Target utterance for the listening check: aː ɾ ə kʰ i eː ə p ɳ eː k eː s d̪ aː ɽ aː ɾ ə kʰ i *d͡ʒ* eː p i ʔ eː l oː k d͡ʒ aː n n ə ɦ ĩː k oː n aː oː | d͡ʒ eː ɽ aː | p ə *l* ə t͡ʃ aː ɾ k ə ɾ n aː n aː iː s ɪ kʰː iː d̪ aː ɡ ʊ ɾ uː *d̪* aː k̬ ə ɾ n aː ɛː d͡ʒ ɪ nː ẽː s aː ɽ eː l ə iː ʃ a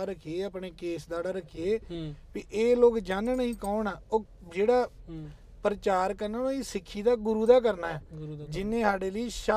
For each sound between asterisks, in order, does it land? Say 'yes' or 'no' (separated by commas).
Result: no, no, yes